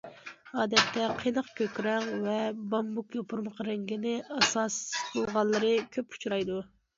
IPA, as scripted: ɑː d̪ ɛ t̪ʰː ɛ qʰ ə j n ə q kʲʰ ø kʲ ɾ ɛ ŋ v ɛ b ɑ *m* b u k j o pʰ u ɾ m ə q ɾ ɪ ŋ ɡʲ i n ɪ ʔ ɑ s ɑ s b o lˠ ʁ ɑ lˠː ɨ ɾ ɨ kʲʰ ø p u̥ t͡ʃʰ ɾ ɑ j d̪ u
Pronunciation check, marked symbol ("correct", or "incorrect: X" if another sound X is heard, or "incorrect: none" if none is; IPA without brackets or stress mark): correct